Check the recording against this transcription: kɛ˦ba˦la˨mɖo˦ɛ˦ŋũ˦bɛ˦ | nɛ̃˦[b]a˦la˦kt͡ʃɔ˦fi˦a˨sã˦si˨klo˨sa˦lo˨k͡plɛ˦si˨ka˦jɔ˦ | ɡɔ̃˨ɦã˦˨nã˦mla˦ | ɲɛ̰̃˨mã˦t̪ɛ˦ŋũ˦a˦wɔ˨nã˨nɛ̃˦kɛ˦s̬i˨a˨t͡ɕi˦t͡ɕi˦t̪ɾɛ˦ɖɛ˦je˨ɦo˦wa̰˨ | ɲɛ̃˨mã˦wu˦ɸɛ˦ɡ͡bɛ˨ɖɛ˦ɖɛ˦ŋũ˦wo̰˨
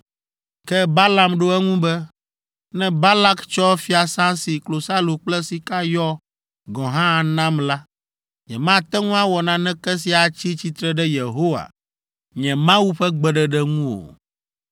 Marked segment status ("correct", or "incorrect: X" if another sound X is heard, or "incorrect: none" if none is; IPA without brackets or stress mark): correct